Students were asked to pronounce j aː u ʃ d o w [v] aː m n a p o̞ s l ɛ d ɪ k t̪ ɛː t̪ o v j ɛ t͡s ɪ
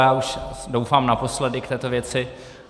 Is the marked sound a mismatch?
yes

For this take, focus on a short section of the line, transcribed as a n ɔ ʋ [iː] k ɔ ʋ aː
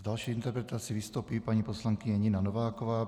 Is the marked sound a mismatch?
yes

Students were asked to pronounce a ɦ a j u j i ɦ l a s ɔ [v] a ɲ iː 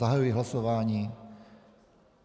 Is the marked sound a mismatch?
yes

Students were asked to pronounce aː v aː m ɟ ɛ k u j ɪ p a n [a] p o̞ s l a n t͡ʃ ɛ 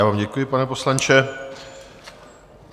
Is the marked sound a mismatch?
yes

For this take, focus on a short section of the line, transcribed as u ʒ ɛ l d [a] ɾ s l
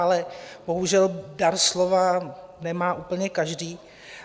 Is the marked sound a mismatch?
no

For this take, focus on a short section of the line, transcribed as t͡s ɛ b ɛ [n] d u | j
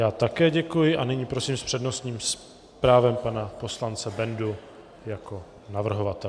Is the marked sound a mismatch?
no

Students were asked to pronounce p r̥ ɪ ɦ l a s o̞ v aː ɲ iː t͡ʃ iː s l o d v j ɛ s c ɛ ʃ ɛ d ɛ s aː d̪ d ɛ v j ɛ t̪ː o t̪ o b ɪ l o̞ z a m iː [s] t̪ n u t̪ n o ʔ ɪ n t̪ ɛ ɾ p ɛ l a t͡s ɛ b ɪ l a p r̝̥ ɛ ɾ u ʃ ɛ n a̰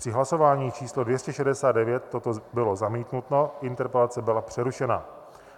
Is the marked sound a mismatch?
yes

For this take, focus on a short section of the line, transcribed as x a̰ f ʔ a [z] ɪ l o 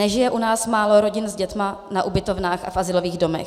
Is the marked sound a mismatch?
no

